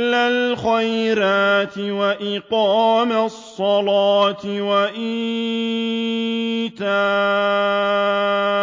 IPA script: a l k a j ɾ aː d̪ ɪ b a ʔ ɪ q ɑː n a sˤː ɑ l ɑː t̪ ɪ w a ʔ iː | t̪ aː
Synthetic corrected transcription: a l x a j ɾ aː t̪ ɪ w a ʔ ɪ q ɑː m a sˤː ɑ l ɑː t̪ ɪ w a ʔ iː | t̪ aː